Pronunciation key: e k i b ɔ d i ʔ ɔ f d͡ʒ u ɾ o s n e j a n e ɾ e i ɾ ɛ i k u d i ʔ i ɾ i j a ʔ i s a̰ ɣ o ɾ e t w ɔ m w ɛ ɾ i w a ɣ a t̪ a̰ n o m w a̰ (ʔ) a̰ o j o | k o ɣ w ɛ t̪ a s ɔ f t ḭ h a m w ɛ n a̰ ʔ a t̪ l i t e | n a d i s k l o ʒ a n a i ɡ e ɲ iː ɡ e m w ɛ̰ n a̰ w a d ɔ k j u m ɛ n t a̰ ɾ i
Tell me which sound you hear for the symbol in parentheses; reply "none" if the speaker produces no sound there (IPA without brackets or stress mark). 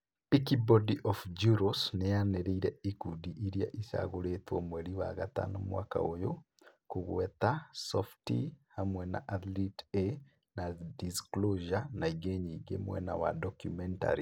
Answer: k